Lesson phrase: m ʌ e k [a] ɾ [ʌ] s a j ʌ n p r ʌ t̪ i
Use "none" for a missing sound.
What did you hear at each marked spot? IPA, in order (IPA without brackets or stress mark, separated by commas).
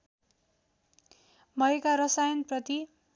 a, ʌ